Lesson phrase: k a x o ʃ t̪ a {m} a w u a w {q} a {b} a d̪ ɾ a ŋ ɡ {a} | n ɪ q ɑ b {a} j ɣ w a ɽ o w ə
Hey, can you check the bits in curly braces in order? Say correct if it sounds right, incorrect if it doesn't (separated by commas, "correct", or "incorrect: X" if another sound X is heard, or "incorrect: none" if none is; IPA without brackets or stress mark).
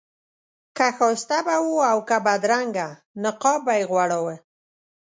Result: incorrect: b, incorrect: k, correct, correct, correct